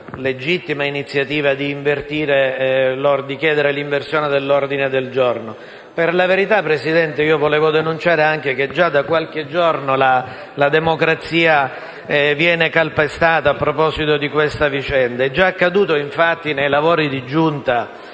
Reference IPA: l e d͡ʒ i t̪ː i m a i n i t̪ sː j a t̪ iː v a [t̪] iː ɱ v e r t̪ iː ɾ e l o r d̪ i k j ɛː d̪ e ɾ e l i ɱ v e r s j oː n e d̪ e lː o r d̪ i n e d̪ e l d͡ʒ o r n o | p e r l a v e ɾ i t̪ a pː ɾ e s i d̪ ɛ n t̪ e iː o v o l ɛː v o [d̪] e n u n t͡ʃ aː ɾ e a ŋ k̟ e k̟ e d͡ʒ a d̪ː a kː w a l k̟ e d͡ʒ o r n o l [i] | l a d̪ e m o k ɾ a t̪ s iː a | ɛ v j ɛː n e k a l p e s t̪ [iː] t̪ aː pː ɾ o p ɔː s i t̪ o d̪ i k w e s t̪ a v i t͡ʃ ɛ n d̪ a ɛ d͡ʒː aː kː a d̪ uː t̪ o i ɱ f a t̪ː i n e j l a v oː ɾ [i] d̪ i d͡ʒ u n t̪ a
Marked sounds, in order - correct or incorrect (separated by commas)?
incorrect, correct, incorrect, incorrect, correct